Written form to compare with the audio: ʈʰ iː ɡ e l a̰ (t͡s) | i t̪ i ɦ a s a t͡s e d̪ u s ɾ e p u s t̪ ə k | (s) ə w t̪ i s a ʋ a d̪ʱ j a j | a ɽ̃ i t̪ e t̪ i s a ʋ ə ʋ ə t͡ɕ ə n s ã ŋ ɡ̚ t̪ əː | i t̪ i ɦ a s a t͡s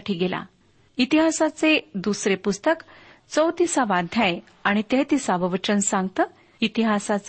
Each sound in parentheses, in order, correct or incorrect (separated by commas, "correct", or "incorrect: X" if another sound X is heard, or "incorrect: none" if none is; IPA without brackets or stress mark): incorrect: none, incorrect: t͡s